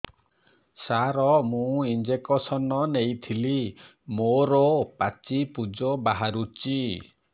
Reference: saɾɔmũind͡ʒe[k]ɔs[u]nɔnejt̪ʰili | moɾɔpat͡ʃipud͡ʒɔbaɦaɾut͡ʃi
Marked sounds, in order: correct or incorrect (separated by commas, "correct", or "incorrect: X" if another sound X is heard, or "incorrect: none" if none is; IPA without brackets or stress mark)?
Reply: correct, incorrect: ɔ